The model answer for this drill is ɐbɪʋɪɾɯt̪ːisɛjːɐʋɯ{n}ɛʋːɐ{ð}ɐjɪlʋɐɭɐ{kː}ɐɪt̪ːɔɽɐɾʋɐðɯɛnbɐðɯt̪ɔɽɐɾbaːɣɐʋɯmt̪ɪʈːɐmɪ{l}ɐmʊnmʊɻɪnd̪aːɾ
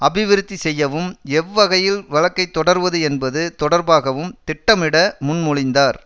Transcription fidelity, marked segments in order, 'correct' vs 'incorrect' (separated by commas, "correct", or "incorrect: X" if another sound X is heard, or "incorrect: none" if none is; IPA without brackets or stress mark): incorrect: m, incorrect: ɣ, correct, incorrect: ɽ